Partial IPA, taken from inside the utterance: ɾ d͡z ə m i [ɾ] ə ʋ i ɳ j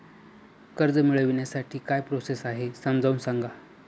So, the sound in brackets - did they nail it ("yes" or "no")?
no